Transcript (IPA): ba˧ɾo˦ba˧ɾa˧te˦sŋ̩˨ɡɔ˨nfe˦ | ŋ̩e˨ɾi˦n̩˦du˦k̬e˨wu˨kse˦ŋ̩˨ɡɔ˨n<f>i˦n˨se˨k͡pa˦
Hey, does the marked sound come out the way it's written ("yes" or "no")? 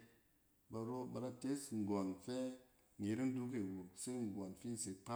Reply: yes